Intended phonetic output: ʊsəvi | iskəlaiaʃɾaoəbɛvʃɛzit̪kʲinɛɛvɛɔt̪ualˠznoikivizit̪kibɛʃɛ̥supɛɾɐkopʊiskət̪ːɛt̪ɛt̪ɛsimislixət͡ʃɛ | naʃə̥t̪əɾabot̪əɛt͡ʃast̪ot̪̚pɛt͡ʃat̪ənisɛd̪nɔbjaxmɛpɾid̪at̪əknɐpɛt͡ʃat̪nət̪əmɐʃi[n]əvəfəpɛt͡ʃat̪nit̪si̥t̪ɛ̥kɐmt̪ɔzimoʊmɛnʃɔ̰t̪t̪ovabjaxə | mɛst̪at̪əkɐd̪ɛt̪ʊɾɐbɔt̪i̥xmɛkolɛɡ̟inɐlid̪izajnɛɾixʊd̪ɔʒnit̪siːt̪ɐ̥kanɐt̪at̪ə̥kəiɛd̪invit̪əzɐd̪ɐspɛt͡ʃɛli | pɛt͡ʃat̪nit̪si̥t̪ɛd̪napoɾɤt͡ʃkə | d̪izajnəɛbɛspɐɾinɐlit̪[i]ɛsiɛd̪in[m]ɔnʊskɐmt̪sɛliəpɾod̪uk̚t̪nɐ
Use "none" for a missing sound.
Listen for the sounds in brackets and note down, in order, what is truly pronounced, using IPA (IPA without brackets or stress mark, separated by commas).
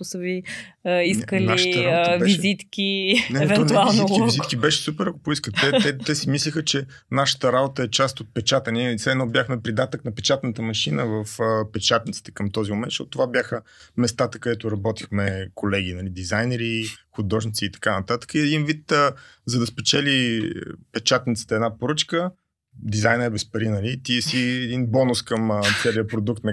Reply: n, i, b